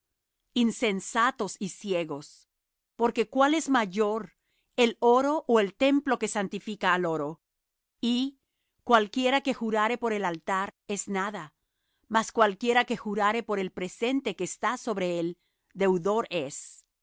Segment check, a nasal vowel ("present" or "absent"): absent